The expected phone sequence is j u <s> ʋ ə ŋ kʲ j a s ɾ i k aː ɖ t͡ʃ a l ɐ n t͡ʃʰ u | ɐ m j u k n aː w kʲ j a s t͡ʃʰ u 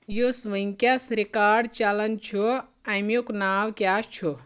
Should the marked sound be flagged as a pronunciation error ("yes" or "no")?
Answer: no